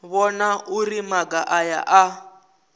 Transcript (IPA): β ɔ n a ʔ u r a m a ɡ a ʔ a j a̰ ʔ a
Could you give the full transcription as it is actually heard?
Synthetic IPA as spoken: β ɔ n a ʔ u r i m a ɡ a ʔ a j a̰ ʔ a